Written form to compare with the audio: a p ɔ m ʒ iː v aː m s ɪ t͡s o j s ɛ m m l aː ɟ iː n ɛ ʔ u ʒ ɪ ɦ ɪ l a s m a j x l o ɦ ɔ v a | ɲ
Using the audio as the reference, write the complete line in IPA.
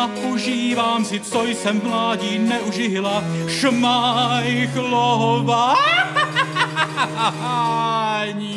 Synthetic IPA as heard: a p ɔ ʒ iː v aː m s ɪ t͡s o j s ɛ m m l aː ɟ iː n ɛ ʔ u ʒ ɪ ɦ ɪ l a ʃ m a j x l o ɦ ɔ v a | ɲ